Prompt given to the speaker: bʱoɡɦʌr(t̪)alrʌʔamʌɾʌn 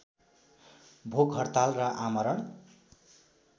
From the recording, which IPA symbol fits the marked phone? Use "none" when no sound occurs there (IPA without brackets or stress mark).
t̪